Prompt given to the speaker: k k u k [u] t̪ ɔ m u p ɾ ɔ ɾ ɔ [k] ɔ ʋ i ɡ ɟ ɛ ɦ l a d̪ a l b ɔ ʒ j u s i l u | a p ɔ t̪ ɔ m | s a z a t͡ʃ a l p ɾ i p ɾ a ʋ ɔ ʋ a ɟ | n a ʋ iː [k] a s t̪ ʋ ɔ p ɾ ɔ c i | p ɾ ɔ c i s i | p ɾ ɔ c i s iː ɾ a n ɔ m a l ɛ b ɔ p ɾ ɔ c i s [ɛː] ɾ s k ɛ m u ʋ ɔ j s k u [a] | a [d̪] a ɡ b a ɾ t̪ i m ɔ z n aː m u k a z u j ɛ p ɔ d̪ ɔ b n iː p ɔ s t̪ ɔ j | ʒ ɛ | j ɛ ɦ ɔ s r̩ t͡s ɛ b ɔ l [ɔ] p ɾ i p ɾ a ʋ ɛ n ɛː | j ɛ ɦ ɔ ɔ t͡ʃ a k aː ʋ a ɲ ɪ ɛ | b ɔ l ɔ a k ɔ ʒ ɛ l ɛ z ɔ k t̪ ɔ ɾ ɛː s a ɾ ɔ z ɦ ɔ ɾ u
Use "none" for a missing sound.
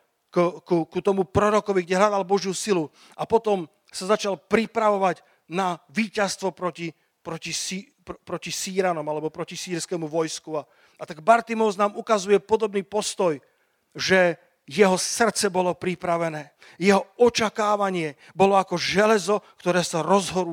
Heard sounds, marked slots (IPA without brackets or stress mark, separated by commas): u, k, c, iː, a, t̪, ɔ